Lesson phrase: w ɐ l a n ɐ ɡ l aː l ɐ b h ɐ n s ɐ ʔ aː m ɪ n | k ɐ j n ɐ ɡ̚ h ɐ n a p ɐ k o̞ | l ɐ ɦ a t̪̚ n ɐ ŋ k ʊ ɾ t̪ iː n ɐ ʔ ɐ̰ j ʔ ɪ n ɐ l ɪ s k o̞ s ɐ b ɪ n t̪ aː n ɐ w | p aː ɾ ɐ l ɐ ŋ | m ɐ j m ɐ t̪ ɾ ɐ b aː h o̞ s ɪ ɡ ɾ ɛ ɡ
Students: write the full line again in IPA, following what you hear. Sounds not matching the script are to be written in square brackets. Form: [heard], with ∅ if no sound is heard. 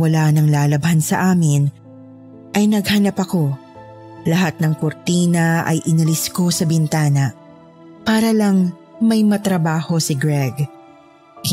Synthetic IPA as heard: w ɐ l a n ɐ [ŋ] l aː l ɐ b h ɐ n s ɐ ʔ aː m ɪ n | [ʔ] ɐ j n ɐ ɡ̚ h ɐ n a p ɐ k o̞ | l ɐ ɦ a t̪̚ n ɐ ŋ k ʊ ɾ t̪ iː n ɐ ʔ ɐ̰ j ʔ ɪ n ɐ l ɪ s k o̞ s ɐ b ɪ n t̪ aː n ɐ [∅] | p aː ɾ ɐ l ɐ ŋ | m ɐ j m ɐ t̪ ɾ ɐ b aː h o̞ s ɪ ɡ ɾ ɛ ɡ